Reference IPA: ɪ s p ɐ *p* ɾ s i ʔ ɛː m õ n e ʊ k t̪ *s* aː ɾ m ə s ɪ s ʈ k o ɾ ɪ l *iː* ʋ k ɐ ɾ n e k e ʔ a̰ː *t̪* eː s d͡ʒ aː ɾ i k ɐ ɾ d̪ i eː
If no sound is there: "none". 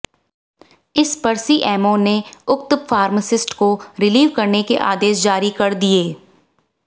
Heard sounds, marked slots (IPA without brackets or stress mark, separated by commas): none, f, iː, d̪